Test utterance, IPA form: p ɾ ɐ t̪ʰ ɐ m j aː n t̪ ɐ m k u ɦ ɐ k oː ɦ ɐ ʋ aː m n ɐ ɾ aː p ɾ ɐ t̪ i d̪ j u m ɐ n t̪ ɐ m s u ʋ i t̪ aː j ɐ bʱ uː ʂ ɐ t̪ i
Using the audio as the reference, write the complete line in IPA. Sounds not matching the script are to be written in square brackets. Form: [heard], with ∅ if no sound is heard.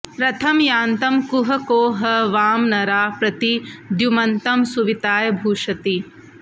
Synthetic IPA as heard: p ɾ ɐ t̪ʰ ɐ m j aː n t̪ ɐ m k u ɦ ɐ k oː ɦ ɐ ʋ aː m n ɐ ɾ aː p ɾ ɐ t̪ i d̪ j u m ɐ n t̪ ɐ m s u ʋ i t̪ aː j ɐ bʱ uː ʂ ɐ t̪ i